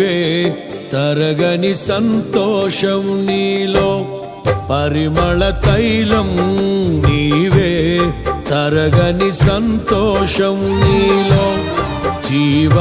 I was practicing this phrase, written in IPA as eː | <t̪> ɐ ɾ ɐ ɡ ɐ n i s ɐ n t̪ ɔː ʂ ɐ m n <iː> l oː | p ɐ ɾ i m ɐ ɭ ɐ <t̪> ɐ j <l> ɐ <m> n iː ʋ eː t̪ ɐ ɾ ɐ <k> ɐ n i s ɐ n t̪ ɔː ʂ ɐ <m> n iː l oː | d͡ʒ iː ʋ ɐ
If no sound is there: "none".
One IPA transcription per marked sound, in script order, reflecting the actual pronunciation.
t̪, iː, t̪, l, m, ɡ, m

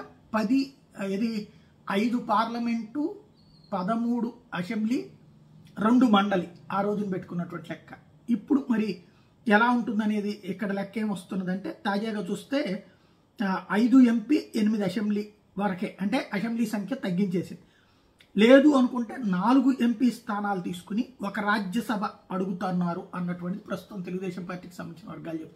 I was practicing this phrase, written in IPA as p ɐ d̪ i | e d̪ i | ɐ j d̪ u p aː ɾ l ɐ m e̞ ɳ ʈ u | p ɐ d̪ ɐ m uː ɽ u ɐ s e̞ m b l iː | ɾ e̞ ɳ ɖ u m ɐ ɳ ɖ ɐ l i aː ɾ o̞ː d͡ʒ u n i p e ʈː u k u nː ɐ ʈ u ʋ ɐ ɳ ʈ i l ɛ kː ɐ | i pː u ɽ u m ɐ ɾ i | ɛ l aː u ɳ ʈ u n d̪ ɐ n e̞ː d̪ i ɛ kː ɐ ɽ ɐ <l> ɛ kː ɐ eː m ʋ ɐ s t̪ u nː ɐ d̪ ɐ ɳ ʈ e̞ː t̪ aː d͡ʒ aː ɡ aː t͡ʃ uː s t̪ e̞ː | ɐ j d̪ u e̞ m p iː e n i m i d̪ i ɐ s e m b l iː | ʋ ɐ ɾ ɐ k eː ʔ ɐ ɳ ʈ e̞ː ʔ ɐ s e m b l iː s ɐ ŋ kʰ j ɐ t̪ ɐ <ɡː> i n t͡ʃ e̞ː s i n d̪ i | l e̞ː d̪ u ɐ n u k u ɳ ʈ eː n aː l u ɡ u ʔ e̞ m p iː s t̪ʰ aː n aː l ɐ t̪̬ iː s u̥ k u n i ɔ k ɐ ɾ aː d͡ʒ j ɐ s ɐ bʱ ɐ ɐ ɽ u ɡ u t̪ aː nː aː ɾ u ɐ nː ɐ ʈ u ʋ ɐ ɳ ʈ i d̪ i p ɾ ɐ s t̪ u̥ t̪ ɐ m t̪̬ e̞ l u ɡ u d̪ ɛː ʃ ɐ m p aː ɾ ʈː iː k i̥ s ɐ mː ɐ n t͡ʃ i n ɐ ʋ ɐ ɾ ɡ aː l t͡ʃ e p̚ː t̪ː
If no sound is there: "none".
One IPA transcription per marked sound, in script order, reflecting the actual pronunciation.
l, ɡː

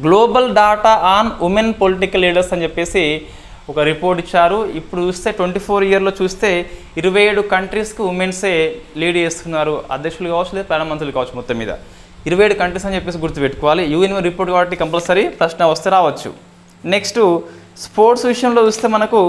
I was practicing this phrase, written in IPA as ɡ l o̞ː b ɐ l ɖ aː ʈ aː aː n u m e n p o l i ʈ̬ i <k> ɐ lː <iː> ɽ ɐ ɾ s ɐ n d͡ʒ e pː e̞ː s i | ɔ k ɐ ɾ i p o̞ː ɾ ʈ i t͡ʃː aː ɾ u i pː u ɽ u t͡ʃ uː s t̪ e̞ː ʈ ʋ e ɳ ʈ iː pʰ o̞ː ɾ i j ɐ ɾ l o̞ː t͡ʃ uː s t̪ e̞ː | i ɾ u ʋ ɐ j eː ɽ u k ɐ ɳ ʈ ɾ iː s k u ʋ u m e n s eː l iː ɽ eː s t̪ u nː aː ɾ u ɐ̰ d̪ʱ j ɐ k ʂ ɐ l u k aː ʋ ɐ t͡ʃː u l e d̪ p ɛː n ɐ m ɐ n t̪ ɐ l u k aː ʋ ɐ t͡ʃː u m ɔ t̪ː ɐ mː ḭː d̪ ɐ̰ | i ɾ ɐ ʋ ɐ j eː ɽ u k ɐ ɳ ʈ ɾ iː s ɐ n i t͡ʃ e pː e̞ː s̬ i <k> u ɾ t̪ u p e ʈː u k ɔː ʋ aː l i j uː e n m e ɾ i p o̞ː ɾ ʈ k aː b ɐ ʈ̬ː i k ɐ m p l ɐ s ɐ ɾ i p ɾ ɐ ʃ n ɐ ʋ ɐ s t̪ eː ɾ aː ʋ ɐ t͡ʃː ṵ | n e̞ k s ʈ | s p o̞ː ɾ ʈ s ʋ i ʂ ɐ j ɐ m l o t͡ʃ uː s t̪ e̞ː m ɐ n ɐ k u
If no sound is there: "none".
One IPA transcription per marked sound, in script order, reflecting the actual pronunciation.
k, iː, ɡ

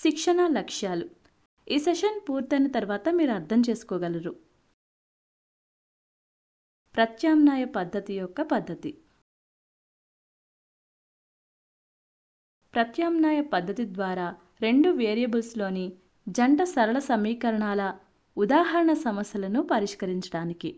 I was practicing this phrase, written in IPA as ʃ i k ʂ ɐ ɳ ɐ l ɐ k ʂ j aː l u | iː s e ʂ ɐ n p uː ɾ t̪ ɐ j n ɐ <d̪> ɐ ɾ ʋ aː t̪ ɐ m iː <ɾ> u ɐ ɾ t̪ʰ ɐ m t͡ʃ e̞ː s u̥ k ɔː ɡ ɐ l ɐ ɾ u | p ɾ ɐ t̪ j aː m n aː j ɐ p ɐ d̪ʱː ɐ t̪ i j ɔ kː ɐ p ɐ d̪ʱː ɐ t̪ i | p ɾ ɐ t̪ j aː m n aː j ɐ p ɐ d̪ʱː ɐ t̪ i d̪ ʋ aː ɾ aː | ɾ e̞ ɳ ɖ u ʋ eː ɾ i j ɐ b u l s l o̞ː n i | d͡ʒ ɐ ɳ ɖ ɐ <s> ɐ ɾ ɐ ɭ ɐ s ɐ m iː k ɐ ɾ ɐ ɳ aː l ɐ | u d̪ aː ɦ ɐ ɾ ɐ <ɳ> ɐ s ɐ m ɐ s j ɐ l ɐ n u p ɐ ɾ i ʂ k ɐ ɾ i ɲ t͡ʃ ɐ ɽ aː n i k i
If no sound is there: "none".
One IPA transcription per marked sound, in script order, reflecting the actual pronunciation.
t̪, ɾ, s, ɳ

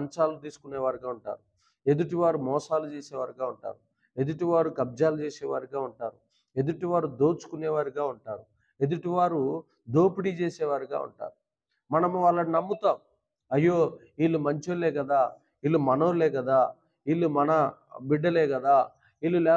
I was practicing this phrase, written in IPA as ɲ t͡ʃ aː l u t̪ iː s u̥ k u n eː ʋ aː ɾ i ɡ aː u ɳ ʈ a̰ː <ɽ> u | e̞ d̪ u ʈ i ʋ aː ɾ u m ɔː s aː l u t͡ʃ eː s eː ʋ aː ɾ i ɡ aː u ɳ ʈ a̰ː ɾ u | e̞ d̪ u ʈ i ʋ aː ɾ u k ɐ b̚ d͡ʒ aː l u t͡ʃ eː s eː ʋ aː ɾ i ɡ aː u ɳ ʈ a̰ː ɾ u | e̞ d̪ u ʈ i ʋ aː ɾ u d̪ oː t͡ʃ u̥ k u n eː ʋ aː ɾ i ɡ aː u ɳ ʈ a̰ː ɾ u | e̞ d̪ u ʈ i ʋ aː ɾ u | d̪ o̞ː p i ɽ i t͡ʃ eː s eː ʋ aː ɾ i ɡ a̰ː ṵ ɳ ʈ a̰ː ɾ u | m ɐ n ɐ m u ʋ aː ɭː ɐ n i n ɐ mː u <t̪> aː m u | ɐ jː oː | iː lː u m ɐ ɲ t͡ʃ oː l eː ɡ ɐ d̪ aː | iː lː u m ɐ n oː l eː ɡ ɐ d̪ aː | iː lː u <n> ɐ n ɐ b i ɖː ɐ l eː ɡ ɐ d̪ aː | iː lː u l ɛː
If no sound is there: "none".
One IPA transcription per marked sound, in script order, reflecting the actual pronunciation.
ɾ, t̪, m

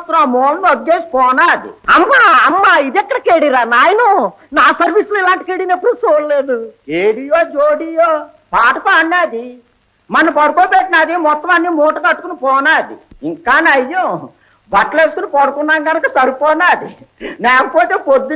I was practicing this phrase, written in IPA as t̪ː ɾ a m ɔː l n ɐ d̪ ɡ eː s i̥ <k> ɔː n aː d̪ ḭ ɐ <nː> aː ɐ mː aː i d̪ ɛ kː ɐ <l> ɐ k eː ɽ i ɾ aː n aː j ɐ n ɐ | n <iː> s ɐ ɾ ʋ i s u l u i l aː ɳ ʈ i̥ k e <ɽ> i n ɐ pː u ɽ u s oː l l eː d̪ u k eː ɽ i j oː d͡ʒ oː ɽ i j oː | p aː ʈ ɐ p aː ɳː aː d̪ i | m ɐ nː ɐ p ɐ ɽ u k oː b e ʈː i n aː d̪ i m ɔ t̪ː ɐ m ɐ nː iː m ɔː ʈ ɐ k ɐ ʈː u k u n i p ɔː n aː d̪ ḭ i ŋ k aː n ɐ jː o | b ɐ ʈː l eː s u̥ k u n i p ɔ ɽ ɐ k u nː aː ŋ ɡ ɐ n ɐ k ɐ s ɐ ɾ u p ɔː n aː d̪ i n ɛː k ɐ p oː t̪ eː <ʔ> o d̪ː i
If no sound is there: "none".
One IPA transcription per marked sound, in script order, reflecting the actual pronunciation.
p, mː, ɽ, aː, ɽ, p

